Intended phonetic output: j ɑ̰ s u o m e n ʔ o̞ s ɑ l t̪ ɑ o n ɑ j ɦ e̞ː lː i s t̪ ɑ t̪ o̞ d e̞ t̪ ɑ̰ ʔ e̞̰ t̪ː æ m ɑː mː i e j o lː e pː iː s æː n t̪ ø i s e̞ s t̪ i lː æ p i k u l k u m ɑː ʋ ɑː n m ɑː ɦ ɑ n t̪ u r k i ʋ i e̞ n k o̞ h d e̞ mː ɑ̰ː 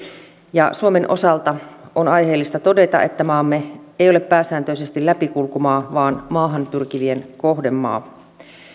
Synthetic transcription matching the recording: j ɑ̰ s u o m e n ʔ o̞ s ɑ l t̪ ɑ o n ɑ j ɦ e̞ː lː i s t̪ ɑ t̪ o̞ d e̞ t̪ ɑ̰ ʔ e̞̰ t̪ː æ m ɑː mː e e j o l e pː æː s æː n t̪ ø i s e̞ s t̪ i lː æ p i k u l k u m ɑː ʋ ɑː n m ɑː ɦ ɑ n t̪ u r k i ʋ i e̞ n k o̞ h d e̞ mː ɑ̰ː